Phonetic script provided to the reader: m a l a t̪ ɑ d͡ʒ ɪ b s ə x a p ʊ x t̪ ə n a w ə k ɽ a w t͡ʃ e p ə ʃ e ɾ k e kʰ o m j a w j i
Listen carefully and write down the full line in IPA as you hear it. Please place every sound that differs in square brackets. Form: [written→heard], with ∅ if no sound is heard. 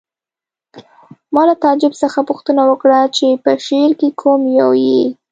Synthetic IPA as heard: m [a→ɑ] l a t̪ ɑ d͡ʒ ɪ b s ə x a p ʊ x t̪ ə n a w ə k ɽ a [w→∅] t͡ʃ e p ə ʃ e ɾ k e kʰ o m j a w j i